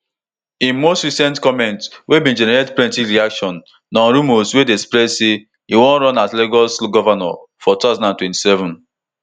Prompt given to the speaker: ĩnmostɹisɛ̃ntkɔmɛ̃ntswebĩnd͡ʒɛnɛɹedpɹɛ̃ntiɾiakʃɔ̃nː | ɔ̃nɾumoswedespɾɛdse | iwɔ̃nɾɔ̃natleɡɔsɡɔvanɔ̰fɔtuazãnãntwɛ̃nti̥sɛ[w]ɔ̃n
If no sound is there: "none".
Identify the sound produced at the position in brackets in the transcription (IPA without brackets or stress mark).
v